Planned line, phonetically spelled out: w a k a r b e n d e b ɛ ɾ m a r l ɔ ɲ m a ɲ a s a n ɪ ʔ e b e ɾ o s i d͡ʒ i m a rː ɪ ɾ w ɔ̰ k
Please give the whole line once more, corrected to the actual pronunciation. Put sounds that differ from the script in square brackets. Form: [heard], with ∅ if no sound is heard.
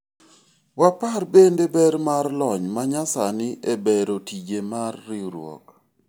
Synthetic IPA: w a [p] a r b e n d e b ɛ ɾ m a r l ɔ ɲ m a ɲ a s a n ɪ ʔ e b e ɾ o [t] i d͡ʒ [e] m a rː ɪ ɾ w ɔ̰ k